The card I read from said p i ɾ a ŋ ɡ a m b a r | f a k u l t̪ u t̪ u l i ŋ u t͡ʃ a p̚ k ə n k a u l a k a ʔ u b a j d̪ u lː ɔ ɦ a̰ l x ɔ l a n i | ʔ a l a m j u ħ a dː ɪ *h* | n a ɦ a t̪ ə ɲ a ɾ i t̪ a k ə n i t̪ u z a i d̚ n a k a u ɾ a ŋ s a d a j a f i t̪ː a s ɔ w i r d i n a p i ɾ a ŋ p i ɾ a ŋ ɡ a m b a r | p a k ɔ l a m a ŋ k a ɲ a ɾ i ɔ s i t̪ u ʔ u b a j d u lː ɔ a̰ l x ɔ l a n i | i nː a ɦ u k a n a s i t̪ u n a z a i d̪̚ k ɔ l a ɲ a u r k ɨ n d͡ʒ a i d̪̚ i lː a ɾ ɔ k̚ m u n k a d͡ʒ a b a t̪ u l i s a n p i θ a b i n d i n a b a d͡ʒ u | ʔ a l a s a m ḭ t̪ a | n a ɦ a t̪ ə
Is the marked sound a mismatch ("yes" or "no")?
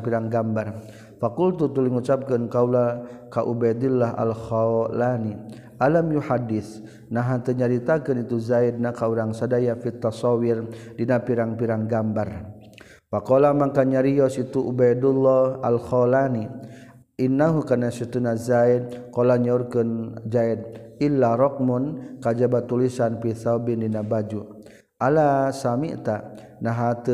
yes